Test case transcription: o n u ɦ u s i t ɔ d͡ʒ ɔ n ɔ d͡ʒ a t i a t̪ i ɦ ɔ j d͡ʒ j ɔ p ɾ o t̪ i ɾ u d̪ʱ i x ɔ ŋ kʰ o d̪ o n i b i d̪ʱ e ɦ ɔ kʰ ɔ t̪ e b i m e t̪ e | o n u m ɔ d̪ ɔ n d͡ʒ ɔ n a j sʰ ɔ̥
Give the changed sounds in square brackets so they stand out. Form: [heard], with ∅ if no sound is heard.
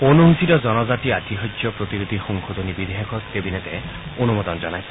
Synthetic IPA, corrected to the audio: o n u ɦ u s i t ɔ d͡ʒ ɔ n ɔ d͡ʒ a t i a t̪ i ɦ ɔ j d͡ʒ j ɔ p ɾ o t̪ i ɾ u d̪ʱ i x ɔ ŋ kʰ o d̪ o n i b i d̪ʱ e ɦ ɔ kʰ ɔ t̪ e b i [n] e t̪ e | o n u m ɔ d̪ ɔ n d͡ʒ ɔ n a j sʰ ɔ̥